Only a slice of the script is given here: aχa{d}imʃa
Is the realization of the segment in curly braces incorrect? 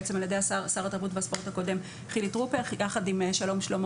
no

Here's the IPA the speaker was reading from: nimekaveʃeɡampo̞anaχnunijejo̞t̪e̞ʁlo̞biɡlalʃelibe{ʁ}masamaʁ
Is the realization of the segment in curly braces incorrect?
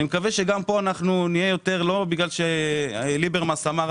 no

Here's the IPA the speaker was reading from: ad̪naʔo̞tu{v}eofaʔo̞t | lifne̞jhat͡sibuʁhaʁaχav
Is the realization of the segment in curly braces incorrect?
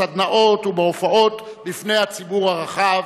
yes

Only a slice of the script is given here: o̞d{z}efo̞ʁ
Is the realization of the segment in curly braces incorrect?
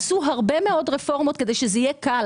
yes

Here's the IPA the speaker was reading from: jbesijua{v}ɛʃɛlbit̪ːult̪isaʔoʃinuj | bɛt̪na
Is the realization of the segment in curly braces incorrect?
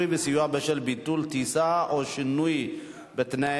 yes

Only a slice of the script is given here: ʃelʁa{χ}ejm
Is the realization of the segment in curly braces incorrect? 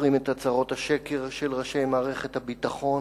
yes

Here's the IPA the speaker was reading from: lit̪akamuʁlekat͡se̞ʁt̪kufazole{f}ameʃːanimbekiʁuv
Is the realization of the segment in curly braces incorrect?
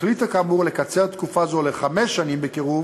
yes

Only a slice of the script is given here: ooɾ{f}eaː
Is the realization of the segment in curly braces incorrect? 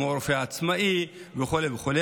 no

